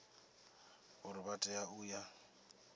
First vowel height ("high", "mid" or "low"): high